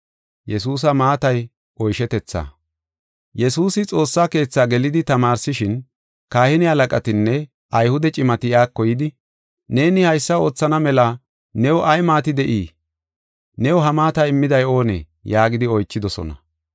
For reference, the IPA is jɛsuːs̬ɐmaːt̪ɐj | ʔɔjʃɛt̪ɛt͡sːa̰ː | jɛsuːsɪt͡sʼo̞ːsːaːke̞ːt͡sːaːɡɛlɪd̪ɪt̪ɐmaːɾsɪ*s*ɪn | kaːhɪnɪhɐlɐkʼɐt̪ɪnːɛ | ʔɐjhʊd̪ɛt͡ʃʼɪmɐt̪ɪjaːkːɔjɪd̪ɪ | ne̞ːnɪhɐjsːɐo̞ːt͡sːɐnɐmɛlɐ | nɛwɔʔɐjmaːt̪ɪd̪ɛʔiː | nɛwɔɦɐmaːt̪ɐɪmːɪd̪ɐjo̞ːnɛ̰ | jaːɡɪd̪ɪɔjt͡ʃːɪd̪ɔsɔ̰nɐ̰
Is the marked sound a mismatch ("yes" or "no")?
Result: yes